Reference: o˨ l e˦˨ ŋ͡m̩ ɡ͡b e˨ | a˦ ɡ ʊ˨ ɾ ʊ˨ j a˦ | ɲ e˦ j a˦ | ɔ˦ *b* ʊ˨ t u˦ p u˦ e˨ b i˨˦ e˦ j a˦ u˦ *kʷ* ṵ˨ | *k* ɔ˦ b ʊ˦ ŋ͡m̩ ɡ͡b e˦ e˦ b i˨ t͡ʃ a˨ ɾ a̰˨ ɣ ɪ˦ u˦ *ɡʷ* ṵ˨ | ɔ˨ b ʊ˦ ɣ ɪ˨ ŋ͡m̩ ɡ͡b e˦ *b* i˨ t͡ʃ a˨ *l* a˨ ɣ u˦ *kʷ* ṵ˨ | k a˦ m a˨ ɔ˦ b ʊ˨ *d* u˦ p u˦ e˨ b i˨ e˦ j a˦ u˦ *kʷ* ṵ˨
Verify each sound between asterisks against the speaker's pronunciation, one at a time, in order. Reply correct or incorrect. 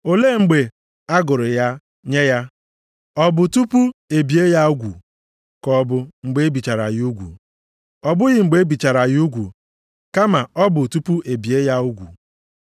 correct, incorrect, correct, correct, correct, incorrect, incorrect, incorrect, incorrect

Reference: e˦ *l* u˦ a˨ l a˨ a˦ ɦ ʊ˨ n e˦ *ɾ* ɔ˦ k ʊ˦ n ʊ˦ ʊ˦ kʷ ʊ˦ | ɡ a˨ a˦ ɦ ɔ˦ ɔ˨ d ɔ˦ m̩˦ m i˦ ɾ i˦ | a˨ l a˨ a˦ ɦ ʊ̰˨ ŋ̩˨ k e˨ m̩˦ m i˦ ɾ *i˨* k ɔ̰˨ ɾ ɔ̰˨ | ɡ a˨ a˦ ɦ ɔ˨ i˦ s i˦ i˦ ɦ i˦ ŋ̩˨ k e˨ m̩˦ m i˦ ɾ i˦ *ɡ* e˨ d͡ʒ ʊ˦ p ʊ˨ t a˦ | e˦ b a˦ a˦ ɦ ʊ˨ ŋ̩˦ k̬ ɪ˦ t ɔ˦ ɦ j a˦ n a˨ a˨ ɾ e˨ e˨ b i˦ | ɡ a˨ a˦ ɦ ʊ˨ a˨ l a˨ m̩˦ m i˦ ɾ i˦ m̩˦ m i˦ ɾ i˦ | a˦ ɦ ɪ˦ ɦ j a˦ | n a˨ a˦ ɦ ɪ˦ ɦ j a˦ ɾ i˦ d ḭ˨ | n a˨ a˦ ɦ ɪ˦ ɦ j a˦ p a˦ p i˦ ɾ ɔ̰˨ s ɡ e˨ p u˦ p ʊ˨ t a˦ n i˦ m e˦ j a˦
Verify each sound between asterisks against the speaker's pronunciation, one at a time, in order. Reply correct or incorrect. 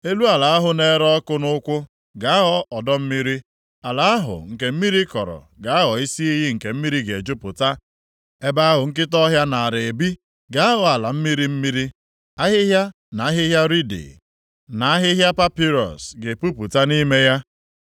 correct, correct, incorrect, correct

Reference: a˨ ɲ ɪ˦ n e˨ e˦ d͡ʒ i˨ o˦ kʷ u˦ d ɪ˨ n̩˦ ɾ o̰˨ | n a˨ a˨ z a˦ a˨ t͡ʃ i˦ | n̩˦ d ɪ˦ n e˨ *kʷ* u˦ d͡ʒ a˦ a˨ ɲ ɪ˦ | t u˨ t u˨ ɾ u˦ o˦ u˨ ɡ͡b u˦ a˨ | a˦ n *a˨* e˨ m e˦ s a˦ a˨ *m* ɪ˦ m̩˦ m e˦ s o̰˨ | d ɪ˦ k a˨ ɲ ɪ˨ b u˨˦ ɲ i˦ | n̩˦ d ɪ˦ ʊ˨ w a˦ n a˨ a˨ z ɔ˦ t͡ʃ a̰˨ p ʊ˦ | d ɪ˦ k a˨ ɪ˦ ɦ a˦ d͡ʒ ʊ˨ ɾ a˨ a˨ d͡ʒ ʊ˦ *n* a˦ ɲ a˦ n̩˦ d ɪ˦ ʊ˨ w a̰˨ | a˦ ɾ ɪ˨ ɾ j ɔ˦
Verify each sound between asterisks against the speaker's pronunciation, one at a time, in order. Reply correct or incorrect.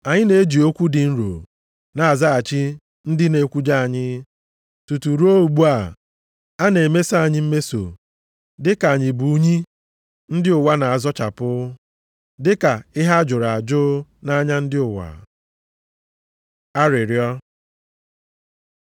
correct, incorrect, incorrect, correct

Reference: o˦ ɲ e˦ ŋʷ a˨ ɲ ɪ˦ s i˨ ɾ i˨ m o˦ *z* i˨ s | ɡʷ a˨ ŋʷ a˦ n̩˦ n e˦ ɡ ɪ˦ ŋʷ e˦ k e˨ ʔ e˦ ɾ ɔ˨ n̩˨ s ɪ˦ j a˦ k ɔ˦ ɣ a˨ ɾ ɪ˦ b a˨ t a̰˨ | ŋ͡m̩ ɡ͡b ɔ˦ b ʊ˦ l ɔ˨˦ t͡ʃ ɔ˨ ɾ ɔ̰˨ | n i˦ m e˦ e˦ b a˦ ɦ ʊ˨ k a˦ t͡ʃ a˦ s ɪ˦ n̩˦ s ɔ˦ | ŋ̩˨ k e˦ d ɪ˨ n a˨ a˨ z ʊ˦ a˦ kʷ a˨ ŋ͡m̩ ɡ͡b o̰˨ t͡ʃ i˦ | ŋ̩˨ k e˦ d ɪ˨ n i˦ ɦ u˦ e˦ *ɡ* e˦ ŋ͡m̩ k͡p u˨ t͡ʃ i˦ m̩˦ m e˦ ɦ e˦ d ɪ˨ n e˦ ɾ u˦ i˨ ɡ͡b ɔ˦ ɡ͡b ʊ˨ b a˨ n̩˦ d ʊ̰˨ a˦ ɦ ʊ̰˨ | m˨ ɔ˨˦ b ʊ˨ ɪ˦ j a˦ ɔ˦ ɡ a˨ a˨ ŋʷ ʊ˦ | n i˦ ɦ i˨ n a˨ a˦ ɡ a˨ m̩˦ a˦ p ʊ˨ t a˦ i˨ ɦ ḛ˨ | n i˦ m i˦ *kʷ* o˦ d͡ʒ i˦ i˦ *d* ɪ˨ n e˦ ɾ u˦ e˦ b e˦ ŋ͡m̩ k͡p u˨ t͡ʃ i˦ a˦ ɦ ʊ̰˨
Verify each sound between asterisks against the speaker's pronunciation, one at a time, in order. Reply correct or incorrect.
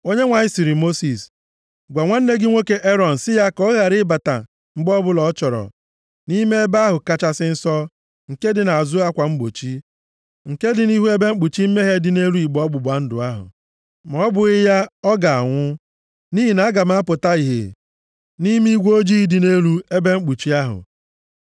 incorrect, incorrect, incorrect, correct

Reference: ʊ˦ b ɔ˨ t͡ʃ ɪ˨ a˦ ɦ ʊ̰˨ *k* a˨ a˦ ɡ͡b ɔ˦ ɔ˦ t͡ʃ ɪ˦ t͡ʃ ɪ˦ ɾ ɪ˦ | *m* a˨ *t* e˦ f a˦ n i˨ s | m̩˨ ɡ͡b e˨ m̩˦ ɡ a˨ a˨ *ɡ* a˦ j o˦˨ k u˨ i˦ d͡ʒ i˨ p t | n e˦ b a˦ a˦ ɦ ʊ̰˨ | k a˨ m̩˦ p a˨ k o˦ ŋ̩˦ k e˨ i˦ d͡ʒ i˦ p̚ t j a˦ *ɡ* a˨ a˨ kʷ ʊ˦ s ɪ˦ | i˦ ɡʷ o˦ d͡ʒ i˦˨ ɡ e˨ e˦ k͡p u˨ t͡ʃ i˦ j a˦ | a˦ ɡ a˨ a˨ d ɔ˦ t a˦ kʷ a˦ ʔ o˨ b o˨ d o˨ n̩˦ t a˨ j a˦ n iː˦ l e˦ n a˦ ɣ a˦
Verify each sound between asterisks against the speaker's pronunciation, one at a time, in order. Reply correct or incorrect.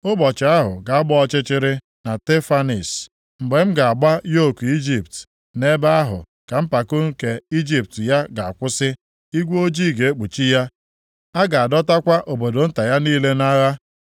incorrect, incorrect, correct, incorrect, correct

